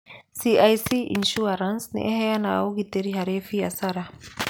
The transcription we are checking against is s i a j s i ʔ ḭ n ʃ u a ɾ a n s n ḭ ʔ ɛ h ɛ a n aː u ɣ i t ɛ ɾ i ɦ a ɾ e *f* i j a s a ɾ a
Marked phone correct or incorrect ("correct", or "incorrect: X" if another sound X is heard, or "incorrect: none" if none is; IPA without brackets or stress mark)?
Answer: correct